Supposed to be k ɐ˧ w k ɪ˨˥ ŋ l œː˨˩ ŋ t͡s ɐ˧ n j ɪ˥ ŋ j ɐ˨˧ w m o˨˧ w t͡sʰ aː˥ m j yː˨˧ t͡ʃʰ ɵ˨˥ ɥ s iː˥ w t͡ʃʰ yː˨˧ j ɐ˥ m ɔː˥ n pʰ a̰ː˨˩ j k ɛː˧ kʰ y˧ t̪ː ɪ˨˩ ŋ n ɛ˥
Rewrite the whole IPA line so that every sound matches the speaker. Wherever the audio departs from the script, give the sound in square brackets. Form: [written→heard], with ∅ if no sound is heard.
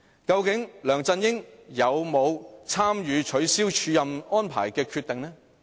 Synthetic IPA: k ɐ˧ w k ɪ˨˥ ŋ l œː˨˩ ŋ t͡s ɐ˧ n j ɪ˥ ŋ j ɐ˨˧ w m o˨˧ w t͡sʰ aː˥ m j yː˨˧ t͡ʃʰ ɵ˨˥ ɥ s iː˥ w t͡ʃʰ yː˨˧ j [ɐ˥→ɐ˨] m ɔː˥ n pʰ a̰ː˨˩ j k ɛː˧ kʰ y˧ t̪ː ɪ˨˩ ŋ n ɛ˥